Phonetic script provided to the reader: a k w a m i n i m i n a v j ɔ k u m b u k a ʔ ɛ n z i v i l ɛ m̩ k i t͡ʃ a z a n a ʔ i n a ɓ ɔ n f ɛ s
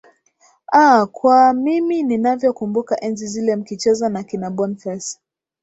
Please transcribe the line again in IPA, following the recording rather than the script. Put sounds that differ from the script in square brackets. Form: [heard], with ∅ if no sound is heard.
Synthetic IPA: a k w a m i [m] i [n] i n a v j ɔ k u m b u k a ʔ ɛ n z i [z] i l ɛ m̩ k i t͡ʃ [ɛ] z a n a [k] i n a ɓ ɔ n f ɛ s